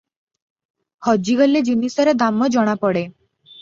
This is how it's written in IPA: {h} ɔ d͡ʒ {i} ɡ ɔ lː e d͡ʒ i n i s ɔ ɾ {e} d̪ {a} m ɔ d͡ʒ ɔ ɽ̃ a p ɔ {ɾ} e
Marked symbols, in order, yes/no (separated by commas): yes, yes, yes, yes, no